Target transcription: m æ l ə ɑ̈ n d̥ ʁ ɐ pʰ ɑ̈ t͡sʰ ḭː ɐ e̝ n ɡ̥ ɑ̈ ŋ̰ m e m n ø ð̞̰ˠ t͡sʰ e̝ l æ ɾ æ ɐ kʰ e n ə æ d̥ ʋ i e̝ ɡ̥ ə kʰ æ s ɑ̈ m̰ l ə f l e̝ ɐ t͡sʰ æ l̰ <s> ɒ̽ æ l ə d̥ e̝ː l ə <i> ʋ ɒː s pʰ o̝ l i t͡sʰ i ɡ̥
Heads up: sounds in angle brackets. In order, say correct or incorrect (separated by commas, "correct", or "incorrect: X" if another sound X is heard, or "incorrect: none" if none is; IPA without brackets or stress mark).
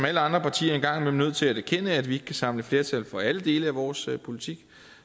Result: incorrect: f, incorrect: æ